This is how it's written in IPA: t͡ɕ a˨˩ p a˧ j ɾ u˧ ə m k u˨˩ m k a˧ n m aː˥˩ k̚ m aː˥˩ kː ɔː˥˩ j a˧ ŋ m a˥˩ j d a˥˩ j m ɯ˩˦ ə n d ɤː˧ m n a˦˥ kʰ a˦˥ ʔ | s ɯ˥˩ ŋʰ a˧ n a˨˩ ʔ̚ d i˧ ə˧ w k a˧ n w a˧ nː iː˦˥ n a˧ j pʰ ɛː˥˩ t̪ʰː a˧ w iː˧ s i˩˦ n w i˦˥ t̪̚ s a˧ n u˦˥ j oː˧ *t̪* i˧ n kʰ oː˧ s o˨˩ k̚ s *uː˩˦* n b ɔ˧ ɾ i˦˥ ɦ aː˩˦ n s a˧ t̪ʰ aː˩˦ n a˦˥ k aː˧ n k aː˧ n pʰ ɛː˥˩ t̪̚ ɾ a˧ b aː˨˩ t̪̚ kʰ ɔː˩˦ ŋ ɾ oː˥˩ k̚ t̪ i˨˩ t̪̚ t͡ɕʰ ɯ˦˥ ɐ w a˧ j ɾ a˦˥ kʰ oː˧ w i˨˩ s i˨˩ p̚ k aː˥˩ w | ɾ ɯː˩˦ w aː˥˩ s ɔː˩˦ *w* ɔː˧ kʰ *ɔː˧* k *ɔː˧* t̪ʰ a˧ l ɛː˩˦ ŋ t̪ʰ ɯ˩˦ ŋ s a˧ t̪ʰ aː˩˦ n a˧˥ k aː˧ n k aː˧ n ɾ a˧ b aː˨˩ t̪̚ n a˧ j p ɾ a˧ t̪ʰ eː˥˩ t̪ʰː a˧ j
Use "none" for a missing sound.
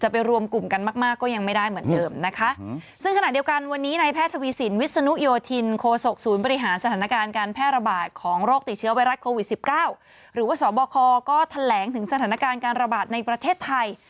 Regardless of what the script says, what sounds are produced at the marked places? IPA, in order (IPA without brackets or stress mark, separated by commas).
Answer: t̪ʰ, uː˩˦, b, ɔː˧, ɔː˥˩